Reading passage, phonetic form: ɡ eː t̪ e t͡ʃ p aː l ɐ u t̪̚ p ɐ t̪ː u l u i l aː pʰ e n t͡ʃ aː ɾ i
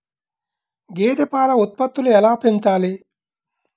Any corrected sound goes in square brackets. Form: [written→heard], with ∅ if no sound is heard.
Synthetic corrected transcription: ɡ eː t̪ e [t͡ʃ→∅] p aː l ɐ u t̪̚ p ɐ t̪ː u l u [i→ɛ] l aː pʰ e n t͡ʃ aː [ɾ→l] i